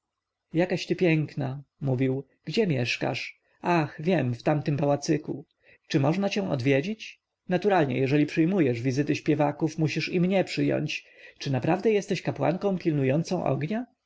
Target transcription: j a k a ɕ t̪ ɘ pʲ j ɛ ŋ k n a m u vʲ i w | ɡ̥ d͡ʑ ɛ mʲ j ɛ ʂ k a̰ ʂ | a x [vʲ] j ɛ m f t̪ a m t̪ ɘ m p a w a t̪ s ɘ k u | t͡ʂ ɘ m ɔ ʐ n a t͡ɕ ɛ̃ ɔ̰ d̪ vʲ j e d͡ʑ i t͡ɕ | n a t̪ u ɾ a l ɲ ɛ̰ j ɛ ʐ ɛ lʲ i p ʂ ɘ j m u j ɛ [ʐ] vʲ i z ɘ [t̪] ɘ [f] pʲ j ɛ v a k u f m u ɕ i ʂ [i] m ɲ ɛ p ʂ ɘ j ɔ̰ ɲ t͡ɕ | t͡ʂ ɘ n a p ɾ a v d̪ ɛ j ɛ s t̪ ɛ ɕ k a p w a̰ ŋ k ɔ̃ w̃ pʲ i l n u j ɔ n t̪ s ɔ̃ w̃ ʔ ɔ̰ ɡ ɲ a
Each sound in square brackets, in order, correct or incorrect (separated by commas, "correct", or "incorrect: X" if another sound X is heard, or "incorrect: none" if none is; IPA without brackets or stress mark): correct, correct, correct, incorrect: ɕ, correct